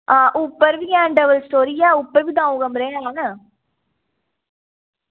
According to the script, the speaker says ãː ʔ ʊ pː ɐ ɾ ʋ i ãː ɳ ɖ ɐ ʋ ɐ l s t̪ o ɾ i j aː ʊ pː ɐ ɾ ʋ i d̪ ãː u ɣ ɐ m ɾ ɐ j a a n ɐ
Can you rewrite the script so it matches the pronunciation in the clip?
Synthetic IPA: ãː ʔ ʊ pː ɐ ɾ ʋ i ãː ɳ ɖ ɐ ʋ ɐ l s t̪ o ɾ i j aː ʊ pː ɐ ɾ ʋ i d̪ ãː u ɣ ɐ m ɾ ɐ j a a n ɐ